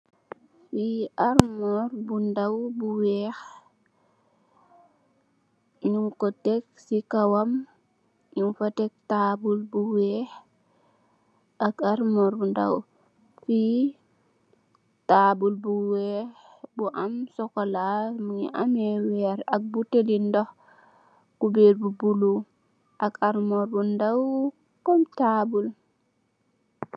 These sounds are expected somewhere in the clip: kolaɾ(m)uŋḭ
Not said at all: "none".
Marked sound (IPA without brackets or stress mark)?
m